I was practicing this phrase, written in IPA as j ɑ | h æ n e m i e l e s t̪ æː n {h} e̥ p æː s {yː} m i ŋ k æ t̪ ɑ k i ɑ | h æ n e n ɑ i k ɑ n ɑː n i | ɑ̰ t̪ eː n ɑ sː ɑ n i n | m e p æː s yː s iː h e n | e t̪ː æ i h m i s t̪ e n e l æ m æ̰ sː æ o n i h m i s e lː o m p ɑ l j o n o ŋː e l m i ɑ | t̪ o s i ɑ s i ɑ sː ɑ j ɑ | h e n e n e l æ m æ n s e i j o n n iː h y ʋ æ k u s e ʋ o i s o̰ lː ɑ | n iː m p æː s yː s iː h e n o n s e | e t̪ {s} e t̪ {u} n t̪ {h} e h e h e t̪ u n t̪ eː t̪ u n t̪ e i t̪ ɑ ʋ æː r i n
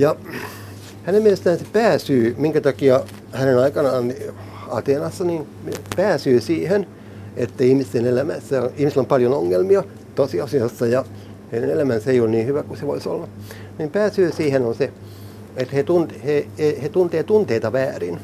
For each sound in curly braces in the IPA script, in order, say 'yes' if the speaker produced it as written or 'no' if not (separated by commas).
no, yes, no, yes, yes